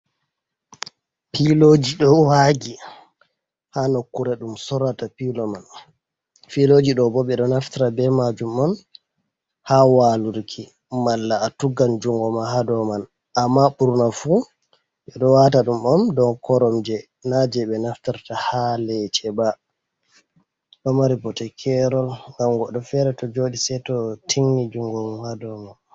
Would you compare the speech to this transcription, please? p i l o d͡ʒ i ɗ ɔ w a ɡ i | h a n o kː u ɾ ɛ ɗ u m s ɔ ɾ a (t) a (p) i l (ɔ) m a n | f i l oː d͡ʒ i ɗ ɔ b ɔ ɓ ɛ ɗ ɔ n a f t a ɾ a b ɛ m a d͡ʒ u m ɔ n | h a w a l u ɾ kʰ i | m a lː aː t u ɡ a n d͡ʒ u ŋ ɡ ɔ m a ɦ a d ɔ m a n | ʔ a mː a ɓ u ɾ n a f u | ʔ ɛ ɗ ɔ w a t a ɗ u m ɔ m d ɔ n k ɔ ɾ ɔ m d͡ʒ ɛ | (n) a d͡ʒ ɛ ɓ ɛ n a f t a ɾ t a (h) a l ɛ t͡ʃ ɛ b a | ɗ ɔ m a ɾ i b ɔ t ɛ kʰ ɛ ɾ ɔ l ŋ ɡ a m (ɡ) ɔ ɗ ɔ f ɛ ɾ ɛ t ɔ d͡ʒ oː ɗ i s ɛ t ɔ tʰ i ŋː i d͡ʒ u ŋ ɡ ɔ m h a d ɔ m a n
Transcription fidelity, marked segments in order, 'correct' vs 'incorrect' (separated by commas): correct, correct, correct, correct, correct, correct